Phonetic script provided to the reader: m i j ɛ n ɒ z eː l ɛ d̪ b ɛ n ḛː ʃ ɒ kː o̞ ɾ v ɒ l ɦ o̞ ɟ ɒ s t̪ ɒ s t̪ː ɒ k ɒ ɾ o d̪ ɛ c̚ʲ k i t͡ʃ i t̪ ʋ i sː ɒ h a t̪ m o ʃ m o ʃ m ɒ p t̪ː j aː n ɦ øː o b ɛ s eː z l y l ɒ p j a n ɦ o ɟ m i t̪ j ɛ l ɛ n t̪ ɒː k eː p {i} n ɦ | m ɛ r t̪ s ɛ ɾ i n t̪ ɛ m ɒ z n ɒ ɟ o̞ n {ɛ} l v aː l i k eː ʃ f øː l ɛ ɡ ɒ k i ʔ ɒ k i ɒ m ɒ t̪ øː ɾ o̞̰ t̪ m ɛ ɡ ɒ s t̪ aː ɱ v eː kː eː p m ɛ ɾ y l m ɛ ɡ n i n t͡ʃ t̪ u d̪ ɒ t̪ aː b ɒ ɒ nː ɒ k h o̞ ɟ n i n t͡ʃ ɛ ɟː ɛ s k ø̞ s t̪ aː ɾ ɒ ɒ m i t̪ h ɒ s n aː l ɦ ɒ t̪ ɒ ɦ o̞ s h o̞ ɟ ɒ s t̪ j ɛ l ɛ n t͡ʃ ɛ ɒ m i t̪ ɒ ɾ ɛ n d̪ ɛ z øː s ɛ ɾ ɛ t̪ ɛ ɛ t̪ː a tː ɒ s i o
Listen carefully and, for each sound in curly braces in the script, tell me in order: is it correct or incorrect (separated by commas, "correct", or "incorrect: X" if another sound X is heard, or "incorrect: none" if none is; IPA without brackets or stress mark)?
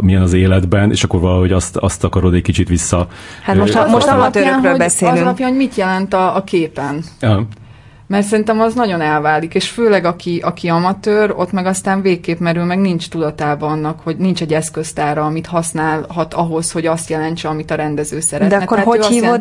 incorrect: ɛ, correct